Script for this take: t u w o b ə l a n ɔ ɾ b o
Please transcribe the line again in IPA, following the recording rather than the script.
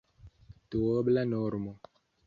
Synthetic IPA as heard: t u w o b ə l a n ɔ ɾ m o